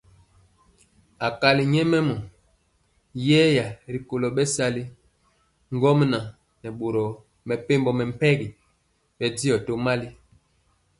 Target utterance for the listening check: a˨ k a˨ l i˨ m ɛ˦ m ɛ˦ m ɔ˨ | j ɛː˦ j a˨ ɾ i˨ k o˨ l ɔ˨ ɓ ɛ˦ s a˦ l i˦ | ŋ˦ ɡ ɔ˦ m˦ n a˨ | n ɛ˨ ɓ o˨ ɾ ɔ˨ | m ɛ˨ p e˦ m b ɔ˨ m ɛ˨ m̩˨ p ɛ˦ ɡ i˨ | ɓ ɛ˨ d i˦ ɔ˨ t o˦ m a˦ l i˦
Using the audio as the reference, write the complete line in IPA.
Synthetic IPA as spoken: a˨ k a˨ l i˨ ɲ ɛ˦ m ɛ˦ m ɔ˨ | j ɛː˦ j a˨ ɾ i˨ k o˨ l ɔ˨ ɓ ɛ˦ s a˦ l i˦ | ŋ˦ ɡ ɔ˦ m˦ n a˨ | n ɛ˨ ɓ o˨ ɾ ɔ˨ | m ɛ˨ p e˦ m b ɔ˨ m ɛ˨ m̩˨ p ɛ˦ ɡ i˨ | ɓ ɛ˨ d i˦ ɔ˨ t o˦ m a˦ l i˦